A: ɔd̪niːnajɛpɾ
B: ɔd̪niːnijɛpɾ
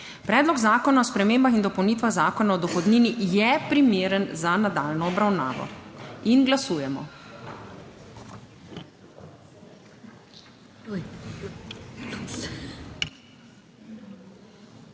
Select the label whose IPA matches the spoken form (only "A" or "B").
B